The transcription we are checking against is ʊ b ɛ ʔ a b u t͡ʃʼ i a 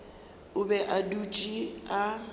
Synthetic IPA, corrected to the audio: ʊ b ɛ ʔ a d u t͡ʃʼ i a